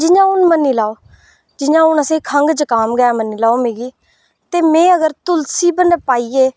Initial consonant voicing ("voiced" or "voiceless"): voiced